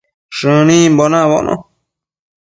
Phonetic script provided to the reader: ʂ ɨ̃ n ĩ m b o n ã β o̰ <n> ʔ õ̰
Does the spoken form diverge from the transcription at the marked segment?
no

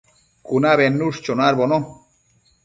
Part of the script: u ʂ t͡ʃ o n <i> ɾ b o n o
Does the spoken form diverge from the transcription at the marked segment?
yes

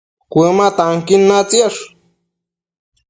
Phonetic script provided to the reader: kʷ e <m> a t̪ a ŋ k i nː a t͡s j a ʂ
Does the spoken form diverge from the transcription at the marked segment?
no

